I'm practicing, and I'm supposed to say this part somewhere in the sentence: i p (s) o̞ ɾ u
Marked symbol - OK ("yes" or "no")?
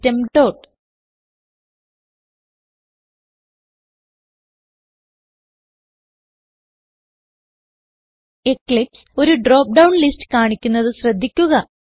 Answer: yes